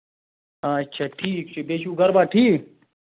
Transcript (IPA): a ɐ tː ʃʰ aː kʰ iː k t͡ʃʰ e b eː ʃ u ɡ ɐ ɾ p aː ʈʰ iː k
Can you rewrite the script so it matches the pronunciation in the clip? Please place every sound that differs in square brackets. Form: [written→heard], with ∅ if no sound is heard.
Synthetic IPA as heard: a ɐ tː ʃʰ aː [kʰ→ʈʰ] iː k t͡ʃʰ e b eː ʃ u ɡ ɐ ɾ [p→b] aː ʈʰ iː k